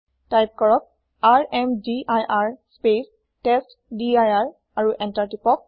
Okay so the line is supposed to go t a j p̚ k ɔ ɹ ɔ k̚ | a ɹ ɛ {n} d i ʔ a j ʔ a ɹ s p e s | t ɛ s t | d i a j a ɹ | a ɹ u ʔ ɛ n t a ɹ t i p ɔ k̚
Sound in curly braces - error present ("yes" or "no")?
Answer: yes